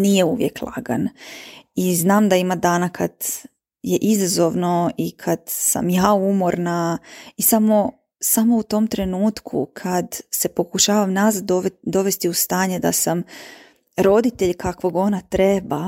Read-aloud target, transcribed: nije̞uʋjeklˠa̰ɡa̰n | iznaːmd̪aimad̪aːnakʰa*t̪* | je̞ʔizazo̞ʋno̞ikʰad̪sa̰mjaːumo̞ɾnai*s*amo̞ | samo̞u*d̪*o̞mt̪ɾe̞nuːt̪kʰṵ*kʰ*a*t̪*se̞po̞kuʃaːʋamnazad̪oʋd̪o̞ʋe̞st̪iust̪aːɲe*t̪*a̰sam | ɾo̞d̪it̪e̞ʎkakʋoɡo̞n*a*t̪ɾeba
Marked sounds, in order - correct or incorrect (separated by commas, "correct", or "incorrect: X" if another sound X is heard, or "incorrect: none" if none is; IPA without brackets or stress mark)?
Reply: incorrect: d̪, correct, incorrect: t̪, correct, incorrect: d̪, incorrect: d̪, correct